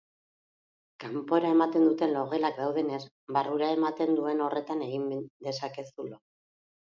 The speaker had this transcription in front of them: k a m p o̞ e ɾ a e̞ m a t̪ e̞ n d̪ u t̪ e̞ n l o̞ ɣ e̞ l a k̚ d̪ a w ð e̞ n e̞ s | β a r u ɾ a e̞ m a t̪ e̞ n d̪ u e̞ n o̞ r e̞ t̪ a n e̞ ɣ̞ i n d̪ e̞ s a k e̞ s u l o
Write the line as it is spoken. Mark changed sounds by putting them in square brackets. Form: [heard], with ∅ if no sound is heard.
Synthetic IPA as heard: k a m p o̞ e ɾ a e̞ m a t̪ e̞ n d̪ u t̪ e̞ n l o̞ ɣ e̞ l a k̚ d̪ a w ð e̞ n e̞ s | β a r u ɾ a e̞ m a t̪ e̞ n d̪ u e̞ n o̞ r e̞ t̪ a n e̞ ɣ̞ i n d̪ e̞ s a k e̞ s u l o